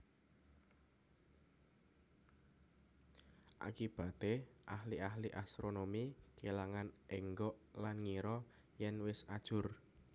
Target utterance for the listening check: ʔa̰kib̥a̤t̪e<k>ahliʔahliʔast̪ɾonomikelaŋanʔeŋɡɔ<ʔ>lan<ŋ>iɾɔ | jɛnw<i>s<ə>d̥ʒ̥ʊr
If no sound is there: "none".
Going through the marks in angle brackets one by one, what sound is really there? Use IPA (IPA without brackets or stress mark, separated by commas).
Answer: ʔ, ʔ, ŋ, ɪ, a